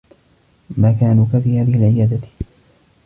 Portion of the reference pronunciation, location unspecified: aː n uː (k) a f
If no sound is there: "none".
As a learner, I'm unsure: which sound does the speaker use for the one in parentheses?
k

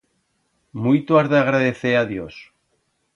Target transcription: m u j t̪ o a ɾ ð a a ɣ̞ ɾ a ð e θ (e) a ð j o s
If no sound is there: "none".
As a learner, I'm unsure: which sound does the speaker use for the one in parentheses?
e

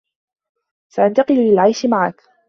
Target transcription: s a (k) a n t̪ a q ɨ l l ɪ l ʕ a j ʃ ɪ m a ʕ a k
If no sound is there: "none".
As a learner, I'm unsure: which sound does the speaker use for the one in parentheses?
ʔ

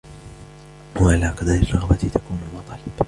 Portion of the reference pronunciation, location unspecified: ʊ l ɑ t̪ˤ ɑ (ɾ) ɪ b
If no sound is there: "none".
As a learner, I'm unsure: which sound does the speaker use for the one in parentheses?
l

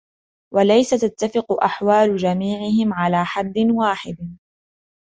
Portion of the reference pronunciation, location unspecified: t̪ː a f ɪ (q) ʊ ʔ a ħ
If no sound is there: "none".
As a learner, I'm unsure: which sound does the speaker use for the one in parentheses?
q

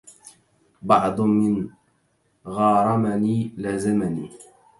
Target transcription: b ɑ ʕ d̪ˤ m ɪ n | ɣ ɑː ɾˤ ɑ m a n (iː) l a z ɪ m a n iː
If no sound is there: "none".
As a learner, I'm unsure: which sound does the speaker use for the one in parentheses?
iː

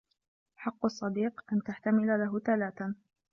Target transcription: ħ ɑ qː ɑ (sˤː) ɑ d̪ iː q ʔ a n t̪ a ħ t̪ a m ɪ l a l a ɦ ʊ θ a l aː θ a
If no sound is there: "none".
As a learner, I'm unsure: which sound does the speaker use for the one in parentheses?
sˤː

